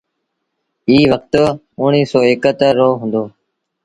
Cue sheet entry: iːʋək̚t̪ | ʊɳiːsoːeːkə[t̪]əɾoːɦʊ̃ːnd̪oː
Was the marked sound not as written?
no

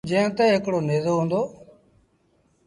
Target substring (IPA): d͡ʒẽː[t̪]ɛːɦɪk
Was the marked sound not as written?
no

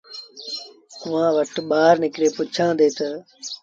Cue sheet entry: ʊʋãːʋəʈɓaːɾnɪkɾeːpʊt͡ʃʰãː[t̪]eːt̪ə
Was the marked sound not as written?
yes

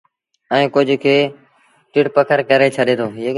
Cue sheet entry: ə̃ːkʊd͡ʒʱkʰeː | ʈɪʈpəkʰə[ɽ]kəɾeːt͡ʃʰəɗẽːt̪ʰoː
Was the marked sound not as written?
yes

